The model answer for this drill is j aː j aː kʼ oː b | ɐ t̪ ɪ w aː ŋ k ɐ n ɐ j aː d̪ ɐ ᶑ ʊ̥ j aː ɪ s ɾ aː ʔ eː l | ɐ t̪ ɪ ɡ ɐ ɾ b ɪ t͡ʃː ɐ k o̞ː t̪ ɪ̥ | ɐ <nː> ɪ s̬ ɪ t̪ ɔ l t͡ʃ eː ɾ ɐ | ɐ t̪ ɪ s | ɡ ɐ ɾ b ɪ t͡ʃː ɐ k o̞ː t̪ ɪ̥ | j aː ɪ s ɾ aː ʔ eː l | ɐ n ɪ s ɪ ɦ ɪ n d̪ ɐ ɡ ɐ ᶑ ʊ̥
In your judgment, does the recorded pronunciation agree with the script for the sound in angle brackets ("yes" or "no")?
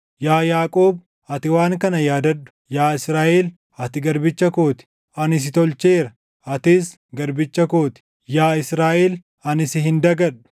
no